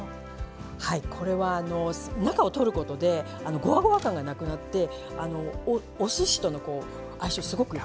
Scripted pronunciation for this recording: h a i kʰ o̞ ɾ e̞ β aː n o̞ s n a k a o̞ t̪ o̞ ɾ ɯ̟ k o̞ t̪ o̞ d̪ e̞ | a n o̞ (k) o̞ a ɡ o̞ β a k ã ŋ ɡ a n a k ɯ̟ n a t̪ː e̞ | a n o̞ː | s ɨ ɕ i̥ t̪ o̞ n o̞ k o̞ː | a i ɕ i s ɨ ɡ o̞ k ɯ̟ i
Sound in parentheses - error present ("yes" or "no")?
yes